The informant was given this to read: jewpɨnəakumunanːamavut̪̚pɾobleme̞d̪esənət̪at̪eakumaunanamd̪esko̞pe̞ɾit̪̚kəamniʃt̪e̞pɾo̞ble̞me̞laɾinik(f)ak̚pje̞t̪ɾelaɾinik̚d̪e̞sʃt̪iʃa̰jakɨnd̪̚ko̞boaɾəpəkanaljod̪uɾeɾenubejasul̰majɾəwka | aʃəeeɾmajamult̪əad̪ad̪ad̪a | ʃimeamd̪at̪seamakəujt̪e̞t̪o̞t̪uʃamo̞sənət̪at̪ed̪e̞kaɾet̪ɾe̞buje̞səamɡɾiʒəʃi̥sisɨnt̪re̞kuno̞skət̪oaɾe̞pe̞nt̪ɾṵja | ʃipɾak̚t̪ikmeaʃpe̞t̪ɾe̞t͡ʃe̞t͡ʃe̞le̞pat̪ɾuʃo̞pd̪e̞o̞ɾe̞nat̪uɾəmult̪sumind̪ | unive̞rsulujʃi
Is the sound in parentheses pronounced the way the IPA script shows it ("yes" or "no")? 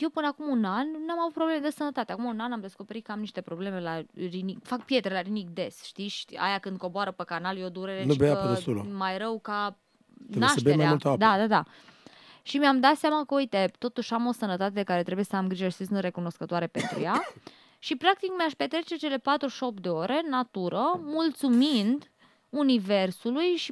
yes